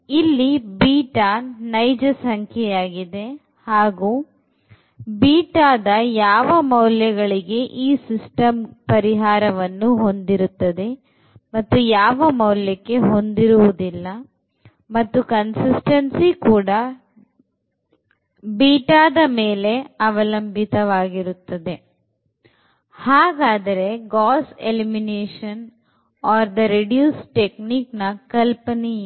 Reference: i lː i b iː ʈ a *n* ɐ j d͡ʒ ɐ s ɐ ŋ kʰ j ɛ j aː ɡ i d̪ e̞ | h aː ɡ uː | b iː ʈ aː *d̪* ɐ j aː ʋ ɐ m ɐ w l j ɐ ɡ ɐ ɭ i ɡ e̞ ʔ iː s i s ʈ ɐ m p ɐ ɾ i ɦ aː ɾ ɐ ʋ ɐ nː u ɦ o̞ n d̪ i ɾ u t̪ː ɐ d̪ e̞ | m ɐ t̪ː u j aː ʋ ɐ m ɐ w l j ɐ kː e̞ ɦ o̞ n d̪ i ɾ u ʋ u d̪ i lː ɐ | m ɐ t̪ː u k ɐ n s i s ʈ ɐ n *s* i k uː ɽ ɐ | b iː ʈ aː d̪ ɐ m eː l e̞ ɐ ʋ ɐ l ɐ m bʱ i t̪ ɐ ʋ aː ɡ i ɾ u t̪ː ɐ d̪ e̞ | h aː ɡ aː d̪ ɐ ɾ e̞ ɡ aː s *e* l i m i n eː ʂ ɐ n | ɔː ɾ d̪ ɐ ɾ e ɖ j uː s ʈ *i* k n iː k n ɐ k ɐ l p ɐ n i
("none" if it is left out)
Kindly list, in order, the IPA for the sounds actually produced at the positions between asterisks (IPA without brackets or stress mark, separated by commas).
n, d̪, s, e, e